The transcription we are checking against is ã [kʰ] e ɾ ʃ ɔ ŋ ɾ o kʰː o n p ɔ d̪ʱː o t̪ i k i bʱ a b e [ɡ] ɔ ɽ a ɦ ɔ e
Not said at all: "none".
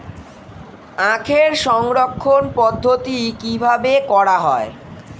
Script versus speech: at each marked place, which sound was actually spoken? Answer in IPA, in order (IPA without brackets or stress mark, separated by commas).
kʰ, k